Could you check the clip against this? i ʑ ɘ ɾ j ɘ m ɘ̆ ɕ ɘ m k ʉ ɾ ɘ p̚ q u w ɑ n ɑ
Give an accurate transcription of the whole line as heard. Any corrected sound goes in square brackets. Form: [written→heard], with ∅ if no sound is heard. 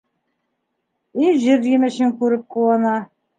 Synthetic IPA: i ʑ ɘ ɾ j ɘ m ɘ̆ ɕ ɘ [m→ŋ] k ʉ ɾ ɘ p̚ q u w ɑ n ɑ